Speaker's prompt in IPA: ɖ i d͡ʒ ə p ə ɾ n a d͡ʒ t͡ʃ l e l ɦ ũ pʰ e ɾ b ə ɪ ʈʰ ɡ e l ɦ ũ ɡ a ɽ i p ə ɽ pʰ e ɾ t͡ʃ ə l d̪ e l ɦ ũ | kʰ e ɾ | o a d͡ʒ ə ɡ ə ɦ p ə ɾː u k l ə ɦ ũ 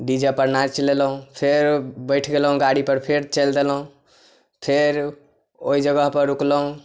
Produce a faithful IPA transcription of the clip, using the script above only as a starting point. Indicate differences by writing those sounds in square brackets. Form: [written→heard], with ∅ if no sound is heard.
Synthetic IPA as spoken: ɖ i d͡ʒ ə p ə ɾ n a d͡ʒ t͡ʃ l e l ɦ ũ pʰ e ɾ b ə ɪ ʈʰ ɡ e l ɦ ũ ɡ a ɽ i p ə [ɽ→ɾ] pʰ e ɾ t͡ʃ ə l d̪ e l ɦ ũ | [kʰ→pʰ] e ɾ | o [a→i] d͡ʒ ə ɡ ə ɦ p ə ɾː u k l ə ɦ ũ

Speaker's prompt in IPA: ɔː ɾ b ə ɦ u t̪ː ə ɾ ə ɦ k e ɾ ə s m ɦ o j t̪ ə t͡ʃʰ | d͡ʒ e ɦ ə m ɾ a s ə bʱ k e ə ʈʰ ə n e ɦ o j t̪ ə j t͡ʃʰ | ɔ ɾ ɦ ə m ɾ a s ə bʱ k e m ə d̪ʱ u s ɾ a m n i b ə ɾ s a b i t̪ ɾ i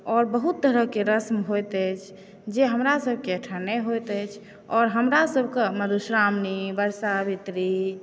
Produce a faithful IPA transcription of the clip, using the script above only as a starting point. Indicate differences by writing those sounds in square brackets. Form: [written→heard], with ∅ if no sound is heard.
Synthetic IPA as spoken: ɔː ɾ b ə ɦ u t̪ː ə ɾ ə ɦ k e ɾ ə s m ɦ o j t̪ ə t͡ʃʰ | d͡ʒ e ɦ ə m ɾ a s ə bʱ k e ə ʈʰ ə n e ɦ o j t̪ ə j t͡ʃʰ | ɔ ɾ ɦ ə m ɾ a s ə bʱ k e m ə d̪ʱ u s ɾ a m n i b ə ɾ s a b i t̪ ɾ i

